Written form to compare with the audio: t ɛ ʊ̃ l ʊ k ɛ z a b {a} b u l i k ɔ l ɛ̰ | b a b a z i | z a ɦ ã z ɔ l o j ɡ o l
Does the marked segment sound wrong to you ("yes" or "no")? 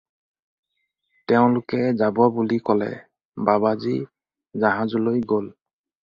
no